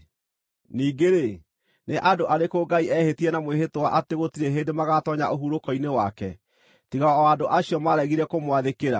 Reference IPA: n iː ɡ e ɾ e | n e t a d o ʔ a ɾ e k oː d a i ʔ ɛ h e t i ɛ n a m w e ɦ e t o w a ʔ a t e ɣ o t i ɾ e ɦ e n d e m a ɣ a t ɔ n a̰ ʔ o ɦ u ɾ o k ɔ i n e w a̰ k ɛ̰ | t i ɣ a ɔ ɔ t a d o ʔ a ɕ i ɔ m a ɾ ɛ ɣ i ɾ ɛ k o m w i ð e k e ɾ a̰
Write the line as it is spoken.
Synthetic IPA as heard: n iː ɡ e ɾ e | n e ʔ a d o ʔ a ɾ e k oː ɡ a i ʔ ɛ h e t i ɛ n a m w e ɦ e t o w a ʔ a t e ɣ o t i ɾ e ɦ e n d e m a ɣ a t ɔ ɲ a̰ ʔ o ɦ u ɾ o k ɔ i n e w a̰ k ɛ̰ | t i ɣ a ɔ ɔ a d o ʔ a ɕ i ɔ m a ɾ ɛ ɣ i ɾ ɛ k o m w a ð e k e ɾ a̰